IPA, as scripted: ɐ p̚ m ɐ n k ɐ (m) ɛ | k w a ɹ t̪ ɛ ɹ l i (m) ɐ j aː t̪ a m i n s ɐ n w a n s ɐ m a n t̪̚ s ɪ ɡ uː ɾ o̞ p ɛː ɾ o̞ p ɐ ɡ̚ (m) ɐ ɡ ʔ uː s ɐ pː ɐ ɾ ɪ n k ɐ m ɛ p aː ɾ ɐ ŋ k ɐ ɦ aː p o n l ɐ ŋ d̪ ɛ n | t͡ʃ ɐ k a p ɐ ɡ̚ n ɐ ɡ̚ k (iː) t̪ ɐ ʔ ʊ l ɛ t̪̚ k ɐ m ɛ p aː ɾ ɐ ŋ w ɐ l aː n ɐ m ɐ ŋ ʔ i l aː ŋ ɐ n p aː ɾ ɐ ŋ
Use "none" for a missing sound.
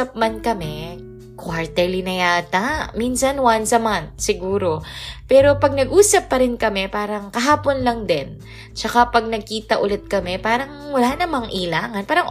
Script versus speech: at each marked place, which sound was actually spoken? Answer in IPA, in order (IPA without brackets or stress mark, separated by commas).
m, n, n, iː